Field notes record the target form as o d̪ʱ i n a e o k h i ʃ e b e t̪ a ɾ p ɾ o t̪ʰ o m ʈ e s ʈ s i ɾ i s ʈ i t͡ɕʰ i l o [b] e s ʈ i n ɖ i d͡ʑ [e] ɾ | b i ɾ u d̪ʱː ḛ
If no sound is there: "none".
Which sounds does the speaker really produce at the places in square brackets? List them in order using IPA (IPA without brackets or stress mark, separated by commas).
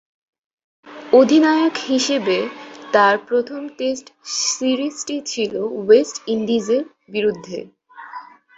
w, e